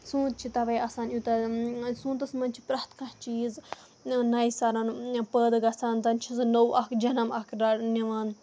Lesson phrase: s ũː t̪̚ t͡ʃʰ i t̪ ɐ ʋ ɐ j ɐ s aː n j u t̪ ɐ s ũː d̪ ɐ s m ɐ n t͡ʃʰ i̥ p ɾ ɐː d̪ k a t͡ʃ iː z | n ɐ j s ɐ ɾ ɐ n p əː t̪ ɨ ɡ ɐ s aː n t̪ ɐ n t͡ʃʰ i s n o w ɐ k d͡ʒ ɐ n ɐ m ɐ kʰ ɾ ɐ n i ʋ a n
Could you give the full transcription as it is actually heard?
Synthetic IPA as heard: s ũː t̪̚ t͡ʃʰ i t̪ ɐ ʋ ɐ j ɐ s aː n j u t̪ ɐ s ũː t̪ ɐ s m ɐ n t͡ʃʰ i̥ p ɾ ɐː t̪ k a t͡ʃ iː z | n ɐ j s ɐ ɾ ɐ n p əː d̪ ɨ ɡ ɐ s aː n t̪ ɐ n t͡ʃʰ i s n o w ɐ k d͡ʒ ɐ n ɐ m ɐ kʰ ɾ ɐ n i ʋ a n